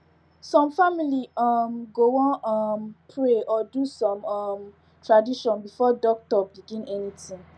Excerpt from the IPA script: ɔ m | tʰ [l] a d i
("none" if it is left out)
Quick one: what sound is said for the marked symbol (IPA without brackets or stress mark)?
ɹ